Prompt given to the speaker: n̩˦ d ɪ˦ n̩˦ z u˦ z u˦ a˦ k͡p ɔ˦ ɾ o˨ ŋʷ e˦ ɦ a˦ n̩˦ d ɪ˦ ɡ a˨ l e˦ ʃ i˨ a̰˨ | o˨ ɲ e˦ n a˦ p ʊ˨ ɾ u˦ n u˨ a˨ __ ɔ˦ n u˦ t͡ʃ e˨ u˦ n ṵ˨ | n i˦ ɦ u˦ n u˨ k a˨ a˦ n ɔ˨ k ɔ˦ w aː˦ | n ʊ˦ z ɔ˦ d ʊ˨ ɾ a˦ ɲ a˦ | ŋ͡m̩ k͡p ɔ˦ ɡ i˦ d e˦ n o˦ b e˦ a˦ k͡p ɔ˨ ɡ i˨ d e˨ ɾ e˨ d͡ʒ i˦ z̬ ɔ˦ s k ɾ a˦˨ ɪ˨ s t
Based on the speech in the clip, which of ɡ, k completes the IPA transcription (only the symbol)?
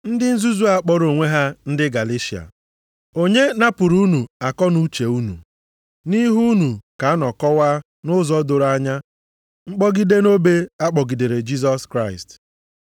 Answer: k